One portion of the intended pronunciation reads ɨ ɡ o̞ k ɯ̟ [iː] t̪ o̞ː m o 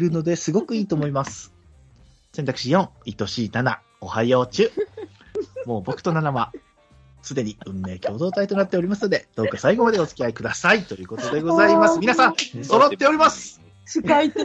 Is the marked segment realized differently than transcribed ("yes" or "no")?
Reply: no